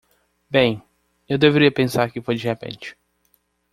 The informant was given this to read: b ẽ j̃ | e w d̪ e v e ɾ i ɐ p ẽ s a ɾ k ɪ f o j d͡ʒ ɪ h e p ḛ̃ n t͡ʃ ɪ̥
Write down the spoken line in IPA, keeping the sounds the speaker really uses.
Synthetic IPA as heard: b ẽ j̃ | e w d̪ e v e ɾ i ɐ p ẽ s a ɾ k ɪ f o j d͡ʒ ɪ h e p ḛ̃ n t͡ʃ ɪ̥